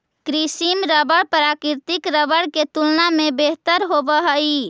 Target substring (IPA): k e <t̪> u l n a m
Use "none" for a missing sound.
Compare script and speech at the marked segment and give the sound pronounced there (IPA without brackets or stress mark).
t̪